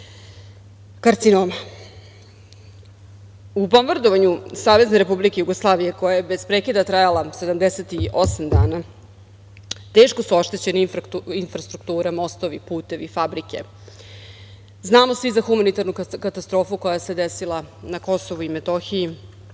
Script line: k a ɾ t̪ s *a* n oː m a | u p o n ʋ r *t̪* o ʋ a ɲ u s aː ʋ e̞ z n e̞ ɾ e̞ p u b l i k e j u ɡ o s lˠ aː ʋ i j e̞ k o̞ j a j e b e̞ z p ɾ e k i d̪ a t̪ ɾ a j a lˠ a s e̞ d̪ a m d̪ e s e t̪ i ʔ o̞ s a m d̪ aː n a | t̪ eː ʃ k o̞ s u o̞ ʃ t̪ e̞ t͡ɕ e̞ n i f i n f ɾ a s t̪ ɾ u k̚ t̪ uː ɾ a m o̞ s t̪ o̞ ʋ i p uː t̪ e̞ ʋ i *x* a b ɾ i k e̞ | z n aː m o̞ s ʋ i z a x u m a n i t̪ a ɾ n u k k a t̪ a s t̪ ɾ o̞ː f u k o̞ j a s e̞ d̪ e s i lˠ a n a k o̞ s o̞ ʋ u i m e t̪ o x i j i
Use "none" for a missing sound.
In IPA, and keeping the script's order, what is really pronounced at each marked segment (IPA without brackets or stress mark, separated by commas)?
i, d̪, f